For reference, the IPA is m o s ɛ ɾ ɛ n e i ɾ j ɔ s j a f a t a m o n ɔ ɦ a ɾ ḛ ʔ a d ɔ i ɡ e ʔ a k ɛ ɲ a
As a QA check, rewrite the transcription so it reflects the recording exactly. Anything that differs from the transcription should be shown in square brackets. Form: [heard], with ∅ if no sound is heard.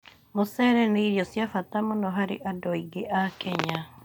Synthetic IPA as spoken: m o s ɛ ɾ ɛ n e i ɾ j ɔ s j a f a t a m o n ɔ ɦ a ɾ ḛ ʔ a d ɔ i ɡ e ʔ a k ɛ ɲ a